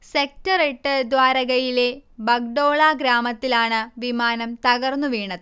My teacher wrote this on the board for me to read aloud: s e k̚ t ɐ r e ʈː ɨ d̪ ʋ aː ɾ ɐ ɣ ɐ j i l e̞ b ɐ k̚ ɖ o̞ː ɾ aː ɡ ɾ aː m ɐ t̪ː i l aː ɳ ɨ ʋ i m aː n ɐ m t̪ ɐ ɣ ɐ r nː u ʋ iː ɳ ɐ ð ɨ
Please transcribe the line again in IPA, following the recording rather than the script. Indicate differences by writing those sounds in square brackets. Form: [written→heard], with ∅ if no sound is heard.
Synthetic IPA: s e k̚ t ɐ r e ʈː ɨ d̪ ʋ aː ɾ ɐ ɣ ɐ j i l e̞ b ɐ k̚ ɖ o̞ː [ɾ→ɭ] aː ɡ ɾ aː m ɐ t̪ː i l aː ɳ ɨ ʋ i m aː n ɐ m t̪ ɐ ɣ ɐ r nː u ʋ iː ɳ ɐ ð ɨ